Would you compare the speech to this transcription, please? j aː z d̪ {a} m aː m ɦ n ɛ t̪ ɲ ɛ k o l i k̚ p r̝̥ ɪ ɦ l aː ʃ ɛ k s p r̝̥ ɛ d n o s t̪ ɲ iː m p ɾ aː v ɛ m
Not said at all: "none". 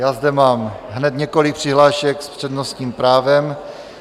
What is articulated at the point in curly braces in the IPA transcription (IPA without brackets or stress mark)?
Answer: ɛ